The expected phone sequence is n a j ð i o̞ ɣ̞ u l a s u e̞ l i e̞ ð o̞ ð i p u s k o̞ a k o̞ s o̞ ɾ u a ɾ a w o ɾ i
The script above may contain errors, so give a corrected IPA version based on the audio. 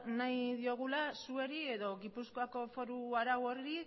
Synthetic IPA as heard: n a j ð i o̞ ɣ̞ u l a s u e̞ ɾ i e̞ ð o̞ ɣ i p u s k o̞ a k o̞ f o̞ ɾ u a ɾ a w o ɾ i